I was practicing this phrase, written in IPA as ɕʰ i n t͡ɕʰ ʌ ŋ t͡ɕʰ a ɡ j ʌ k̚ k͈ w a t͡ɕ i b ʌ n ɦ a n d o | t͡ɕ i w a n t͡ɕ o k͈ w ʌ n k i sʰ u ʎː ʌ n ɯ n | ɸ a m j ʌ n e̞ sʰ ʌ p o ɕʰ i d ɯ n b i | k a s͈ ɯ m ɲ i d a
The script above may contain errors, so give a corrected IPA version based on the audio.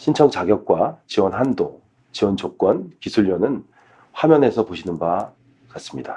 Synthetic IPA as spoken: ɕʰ i n t͡ɕʰ ʌ ŋ t͡ɕ a ɡ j ʌ k̚ k͈ w a t͡ɕ i w ʌ n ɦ a n d o | t͡ɕ i w ʌ n t͡ɕ o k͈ w ʌ n k i sʰ u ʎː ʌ n ɯ n | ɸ a m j ʌ n e̞ sʰ ʌ p o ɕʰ i n ɯ n b a | k a s͈ ɯ m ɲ i d a

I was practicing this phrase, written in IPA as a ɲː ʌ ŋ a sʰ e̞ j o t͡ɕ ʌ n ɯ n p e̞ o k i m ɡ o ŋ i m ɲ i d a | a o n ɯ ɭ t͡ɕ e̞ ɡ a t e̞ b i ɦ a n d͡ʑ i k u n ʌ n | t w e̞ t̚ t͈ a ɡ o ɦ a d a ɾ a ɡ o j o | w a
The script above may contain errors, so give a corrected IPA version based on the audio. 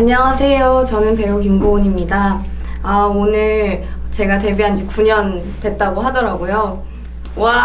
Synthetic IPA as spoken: a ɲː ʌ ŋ a sʰ e̞ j o t͡ɕ ʌ n ɯ n p e̞ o k i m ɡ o ɲ i m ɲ i d a | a o n ɯ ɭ t͡ɕ e̞ ɡ a t e̞ b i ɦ a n d͡ʑ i k u ɲ ʌ n | t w e̞ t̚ t͈ a ɡ o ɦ a d ʌ ɾ a ɡ o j o | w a

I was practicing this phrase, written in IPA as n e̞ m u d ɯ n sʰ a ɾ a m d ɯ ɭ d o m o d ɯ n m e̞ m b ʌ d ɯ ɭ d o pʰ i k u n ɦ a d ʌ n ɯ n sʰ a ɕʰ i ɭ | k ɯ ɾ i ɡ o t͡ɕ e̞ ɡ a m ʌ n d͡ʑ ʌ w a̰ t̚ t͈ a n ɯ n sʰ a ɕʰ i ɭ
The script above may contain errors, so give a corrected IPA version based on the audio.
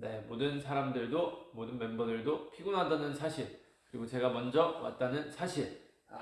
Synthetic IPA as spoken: n e̞ m o d ɯ n sʰ a ɾ a m d ɯ ɭ d o m o d ɯ n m e̞ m b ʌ d ɯ ɭ d o pʰ i ɡ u n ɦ a d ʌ n ɯ n sʰ a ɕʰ i ɭ | k ɯ ɾ i ɡ o t͡ɕ e̞ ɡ a m ʌ n d͡ʑ ʌ w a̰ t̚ t͈ a n ɯ n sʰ a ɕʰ i ɭ

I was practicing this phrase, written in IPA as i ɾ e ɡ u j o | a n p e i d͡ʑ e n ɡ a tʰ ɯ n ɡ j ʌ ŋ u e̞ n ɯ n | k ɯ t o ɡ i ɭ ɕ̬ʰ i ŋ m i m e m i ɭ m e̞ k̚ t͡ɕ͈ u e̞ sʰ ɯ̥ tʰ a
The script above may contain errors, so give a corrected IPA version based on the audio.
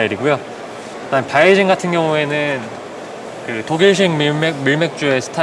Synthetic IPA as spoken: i ɾ i ɡ u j o | a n p a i d͡ʑ i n ɡ a tʰ ɯ n ɡ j ʌ ŋ u e̞ n ɯ n | k ɯ t o ɡ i ɭ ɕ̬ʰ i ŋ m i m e m i ɭ m e̞ k̚ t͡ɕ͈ u e̞ sʰ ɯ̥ tʰ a

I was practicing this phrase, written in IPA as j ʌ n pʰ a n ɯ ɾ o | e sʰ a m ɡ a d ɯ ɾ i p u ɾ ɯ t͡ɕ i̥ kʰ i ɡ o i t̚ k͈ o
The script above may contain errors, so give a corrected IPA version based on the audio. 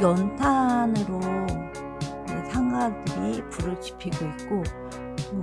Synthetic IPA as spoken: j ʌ n tʰ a n ɯ ɾ o | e sʰ a ŋ ɡ a d ɯ ɾ i p u ɾ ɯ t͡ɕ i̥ pʰ i ɡ o i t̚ k͈ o

